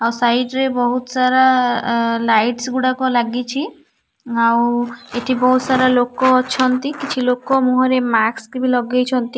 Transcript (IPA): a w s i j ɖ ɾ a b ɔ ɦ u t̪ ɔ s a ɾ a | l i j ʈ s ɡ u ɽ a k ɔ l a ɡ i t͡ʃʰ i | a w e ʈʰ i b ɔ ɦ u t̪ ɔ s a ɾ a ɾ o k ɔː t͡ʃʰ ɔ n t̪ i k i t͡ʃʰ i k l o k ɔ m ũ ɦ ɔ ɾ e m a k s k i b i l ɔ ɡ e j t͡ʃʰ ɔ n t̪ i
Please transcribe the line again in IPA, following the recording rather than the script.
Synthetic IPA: a w s a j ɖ ɾ e b ɔ ɦ u t̪ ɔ s a ɾ a | l a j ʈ s ɡ u ɽ a k ɔ l a ɡ i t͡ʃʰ i | a w e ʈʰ i b ɔ ɦ u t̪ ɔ s a ɾ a l o k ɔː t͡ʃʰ ɔ n t̪ i k i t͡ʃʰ i l o k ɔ m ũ ɦ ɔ ɾ e m a k s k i b i l ɔ ɡ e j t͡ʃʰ ɔ n t̪ i